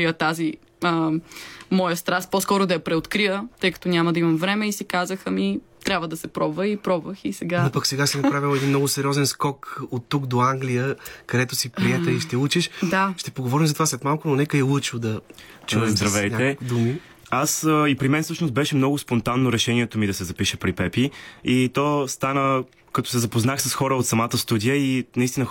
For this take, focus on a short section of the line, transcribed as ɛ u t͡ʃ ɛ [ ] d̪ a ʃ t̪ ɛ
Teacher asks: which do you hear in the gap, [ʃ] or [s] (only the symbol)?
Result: ʃ